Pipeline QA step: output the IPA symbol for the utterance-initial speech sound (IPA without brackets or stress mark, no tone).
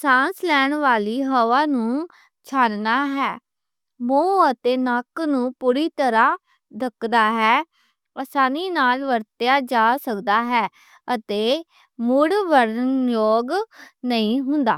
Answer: s